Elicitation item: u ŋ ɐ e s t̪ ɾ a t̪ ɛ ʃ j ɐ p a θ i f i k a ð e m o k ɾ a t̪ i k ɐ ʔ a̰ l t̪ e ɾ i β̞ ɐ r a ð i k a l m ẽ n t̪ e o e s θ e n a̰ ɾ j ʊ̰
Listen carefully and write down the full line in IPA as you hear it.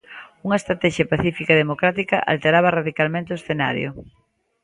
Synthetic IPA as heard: u ŋ ɐ e s t̪ ɾ a t̪ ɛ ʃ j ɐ p a θ i f i k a ð e m o k ɾ a t̪ i k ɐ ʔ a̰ l t̪ e ɾ a β̞ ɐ r a ð i k a l m ẽ n t̪ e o e s θ e n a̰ ɾ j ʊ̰